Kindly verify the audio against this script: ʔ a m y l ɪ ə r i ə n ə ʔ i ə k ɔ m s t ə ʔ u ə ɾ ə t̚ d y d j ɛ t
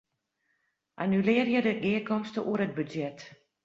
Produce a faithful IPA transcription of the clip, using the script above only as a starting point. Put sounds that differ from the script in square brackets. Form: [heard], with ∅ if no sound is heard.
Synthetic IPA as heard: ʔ a [n] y l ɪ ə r [j] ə [d] ə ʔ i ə k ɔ m s t ə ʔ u ə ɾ ə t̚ [b] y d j ɛ t